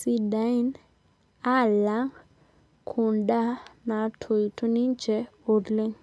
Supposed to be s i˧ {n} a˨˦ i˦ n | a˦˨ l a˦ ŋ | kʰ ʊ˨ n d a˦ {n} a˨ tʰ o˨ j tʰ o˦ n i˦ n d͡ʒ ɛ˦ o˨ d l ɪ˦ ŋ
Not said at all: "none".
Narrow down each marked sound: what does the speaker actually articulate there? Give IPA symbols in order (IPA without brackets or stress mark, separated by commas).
d, n